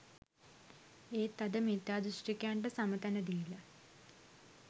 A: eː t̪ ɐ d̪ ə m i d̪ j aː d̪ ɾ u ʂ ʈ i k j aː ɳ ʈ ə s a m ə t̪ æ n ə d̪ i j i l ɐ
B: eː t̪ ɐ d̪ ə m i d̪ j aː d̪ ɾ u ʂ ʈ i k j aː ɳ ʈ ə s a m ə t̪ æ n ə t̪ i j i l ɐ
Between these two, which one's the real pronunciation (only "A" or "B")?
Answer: A